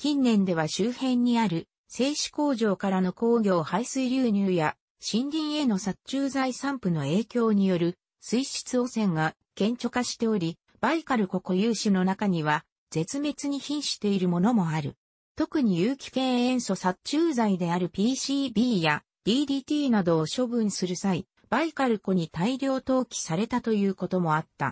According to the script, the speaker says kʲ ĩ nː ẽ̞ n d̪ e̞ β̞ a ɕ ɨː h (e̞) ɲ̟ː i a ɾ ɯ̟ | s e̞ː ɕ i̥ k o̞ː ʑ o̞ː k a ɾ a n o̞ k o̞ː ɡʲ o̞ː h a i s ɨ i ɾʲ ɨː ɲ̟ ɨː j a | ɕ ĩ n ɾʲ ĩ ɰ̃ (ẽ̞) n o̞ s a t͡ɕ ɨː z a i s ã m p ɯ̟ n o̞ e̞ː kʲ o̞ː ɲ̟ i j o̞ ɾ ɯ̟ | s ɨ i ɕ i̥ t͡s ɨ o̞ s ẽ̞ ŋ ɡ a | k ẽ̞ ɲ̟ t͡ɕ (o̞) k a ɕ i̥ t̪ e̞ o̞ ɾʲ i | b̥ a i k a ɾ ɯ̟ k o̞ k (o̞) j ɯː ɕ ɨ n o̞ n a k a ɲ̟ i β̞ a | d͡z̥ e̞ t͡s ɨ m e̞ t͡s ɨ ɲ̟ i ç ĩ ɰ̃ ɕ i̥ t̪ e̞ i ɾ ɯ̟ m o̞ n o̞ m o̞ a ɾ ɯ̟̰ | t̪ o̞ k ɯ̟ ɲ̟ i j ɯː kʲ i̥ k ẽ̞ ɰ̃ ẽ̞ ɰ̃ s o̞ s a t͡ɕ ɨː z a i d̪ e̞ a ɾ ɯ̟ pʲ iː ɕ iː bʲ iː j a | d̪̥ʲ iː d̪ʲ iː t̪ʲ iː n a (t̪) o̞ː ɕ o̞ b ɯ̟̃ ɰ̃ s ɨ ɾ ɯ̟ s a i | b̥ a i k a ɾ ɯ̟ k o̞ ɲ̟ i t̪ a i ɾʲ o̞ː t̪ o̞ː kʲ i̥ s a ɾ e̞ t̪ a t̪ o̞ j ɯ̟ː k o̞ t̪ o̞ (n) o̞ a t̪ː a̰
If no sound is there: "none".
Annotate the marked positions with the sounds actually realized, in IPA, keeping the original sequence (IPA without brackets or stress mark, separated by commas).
ẽ̞, e̞, o̞, o̞, d̪, m